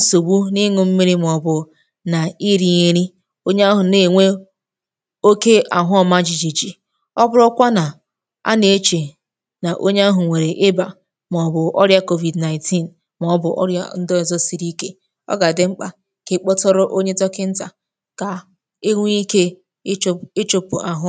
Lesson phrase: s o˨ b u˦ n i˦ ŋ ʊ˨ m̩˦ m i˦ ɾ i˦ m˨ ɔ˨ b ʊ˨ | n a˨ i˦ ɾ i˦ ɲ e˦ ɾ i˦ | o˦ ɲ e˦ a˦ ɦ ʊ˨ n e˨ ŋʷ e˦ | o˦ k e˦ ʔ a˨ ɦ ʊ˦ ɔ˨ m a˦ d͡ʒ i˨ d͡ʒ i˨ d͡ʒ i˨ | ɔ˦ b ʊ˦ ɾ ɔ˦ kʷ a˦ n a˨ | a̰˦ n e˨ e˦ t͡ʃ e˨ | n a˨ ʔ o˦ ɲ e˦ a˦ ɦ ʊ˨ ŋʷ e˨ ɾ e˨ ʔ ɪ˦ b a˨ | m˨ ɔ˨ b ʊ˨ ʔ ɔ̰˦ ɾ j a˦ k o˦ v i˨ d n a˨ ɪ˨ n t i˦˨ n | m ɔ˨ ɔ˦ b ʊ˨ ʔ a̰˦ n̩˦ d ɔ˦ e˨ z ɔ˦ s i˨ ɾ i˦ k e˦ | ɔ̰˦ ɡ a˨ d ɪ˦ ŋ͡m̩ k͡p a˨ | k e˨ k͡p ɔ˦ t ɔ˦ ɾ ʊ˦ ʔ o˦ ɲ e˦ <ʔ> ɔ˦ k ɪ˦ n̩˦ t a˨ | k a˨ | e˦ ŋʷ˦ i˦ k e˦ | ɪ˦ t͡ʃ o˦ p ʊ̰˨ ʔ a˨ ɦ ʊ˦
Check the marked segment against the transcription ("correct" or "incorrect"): incorrect